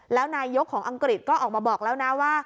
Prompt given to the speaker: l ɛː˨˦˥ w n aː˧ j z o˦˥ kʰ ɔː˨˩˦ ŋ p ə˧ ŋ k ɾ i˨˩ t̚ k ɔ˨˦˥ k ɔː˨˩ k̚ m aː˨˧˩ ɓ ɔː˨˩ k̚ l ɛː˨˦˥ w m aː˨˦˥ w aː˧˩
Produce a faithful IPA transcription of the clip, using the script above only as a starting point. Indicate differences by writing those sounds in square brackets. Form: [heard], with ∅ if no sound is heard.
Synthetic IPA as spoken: l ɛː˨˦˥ w n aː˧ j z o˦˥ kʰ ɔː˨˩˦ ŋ [ʔ] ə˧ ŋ k ɾ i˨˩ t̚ k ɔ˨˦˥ [ʔ] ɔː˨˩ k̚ m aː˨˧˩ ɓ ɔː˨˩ k̚ l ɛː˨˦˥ w [n] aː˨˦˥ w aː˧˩

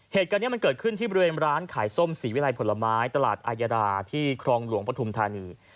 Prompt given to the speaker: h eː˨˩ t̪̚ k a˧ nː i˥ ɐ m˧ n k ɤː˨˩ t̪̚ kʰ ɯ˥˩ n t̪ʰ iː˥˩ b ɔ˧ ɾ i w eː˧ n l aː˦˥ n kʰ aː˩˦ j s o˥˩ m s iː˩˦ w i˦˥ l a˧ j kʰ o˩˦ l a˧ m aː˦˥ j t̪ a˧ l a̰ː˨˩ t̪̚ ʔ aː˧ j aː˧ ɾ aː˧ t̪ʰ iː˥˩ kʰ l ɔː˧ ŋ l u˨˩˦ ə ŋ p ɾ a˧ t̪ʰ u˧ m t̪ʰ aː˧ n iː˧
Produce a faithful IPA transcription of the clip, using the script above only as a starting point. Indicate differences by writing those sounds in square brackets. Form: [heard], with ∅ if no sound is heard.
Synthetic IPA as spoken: h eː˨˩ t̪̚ k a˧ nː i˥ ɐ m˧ n k ɤː˨˩ t̪̚ kʰ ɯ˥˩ n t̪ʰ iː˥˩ b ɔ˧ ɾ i w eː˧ n [ɾ] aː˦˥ n kʰ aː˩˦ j s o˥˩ m s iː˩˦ w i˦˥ l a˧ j [pʰ] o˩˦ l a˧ m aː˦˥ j t̪ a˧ l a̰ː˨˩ t̪̚ ʔ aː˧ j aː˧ ɾ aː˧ t̪ʰ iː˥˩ kʰ [ɾ] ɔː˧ ŋ l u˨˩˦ ə ŋ p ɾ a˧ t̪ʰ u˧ m t̪ʰ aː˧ n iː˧

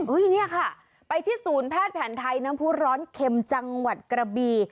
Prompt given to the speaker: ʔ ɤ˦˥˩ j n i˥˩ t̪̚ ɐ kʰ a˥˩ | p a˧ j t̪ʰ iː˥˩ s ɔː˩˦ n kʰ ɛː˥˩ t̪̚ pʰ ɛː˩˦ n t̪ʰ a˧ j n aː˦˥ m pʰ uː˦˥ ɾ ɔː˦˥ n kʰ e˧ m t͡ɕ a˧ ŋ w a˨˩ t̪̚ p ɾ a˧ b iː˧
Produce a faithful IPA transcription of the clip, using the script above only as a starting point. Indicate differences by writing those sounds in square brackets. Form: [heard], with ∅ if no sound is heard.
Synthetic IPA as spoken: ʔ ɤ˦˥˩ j n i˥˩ [∅] ɐ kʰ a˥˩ | p a˧ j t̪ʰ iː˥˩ s [uː˩˦] n [pʰ] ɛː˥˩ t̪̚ pʰ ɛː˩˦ n t̪ʰ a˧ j n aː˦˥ m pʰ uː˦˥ ɾ ɔː˦˥ n kʰ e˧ m t͡ɕ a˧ ŋ w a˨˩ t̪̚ [k] ɾ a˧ b iː˧

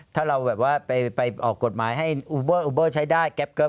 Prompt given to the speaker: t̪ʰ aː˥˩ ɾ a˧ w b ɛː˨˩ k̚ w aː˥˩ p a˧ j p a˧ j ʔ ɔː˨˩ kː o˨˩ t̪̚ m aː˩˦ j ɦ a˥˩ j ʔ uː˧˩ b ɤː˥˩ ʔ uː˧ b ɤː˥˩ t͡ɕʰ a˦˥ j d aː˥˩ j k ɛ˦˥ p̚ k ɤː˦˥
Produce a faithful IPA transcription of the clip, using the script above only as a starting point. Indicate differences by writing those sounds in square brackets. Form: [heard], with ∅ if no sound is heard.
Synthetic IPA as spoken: t̪ʰ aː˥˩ ɾ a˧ w b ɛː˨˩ [p̚] w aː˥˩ p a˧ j p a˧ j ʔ ɔː˨˩ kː o˨˩ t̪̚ m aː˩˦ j ɦ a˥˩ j ʔ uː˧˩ b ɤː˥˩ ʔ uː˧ b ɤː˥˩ t͡ɕʰ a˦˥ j d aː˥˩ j k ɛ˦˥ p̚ k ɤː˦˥

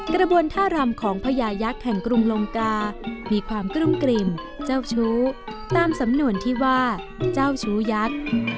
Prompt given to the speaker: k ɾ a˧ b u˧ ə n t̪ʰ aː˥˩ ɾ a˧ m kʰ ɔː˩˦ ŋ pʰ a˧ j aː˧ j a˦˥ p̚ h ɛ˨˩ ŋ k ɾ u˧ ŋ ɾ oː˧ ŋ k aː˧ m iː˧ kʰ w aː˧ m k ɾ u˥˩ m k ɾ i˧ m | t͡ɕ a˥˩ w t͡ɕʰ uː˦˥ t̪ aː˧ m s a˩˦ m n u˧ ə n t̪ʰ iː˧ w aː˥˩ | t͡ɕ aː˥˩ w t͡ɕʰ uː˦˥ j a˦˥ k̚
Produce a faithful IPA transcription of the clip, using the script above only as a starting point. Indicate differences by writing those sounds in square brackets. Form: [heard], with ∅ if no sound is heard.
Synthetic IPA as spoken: k ɾ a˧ b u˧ ə n t̪ʰ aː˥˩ ɾ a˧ m kʰ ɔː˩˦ ŋ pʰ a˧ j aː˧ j a˦˥ [k̚] h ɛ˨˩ ŋ k ɾ u˧ ŋ [l] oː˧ ŋ k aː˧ m iː˧ kʰ w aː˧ m k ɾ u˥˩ m k ɾ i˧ m | t͡ɕ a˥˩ w t͡ɕʰ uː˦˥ t̪ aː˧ m s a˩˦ m n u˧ ə n t̪ʰ [iː˥˩] w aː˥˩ | t͡ɕ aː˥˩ w t͡ɕʰ uː˦˥ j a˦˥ k̚

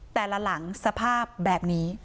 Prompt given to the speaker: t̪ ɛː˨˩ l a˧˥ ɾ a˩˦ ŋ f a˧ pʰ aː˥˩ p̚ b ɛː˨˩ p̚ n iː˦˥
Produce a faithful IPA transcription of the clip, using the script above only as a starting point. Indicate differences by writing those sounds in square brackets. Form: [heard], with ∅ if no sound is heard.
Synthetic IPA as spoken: t̪ ɛː˨˩ l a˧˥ [l] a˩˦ ŋ [s] a˧ pʰ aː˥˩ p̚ b ɛː˨˩ p̚ n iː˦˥

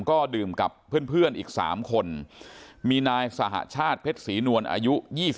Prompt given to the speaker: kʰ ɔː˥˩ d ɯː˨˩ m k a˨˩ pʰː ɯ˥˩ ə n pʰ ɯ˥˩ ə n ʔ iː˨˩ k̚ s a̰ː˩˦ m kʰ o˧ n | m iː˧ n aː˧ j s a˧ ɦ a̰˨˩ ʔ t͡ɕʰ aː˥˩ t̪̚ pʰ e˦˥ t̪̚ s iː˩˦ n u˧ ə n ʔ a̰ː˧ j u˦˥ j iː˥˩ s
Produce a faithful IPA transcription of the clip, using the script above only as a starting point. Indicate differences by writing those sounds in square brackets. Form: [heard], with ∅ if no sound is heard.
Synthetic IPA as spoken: [k] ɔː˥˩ d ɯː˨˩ m k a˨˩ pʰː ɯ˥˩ ə n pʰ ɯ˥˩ ə n ʔ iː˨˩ k̚ s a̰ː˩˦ m kʰ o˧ n | m iː˧ n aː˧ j s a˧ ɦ a̰˨˩ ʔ t͡ɕʰ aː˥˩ t̪̚ pʰ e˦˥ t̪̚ s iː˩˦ n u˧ ə n ʔ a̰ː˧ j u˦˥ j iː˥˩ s

